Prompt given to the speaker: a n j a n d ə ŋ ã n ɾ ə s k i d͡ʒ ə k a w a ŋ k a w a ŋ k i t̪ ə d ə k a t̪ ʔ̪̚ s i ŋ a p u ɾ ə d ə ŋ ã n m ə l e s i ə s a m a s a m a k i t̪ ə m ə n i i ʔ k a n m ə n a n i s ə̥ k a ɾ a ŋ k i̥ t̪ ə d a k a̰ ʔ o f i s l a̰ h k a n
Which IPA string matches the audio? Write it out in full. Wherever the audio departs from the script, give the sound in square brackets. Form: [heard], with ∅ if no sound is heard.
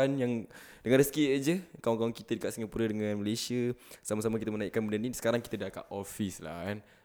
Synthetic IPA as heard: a n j a [ŋ] d ə ŋ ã n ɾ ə s k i d͡ʒ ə k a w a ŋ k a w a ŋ k i t̪ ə d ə k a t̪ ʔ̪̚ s i ŋ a p u ɾ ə d ə ŋ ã n m ə l e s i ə s a m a s a m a k i t̪ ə m ə n [a] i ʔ k a n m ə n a n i s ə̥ k a ɾ a ŋ k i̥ t̪ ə d a k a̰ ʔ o f i s l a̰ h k a n